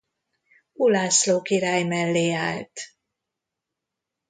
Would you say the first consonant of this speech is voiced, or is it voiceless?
voiced